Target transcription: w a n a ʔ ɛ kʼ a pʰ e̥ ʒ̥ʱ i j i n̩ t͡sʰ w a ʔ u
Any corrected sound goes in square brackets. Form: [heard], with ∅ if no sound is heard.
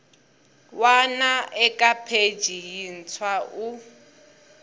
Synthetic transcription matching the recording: w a n a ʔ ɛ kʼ a pʰ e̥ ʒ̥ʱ i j i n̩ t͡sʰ w a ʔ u